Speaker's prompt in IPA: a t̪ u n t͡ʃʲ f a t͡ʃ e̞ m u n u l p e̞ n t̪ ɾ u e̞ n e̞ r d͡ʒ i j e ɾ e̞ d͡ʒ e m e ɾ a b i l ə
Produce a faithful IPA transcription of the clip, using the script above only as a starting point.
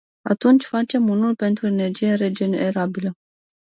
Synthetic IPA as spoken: a t̪ u n t͡ʃʲ f a t͡ʃ e̞ m u n u l p e̞ n t̪ ɾ u e̞ n e̞ r d͡ʒ i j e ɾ e̞ d͡ʒ e n e ɾ a b i l ə